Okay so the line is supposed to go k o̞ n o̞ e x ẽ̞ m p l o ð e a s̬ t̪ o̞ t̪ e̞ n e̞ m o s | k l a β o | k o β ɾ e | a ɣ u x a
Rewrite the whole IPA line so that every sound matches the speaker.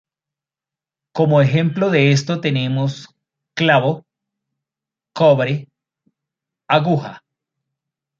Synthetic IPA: k o̞ m o̞ e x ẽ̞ m p l o ð e e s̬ t̪ o̞ t̪ e̞ n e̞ m o s | k l a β o | k o β ɾ e | a ɣ u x a